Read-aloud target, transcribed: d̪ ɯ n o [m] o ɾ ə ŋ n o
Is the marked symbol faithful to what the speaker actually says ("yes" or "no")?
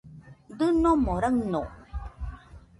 yes